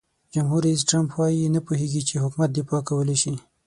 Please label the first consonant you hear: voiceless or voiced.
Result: voiced